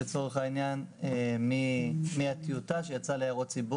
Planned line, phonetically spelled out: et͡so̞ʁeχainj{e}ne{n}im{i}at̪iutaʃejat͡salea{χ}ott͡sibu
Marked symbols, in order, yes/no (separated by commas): no, no, yes, no